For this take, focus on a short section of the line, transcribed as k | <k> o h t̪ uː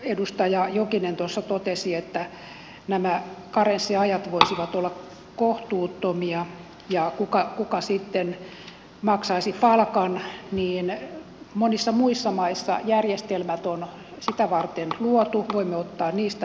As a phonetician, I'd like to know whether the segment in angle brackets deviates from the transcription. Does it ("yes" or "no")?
no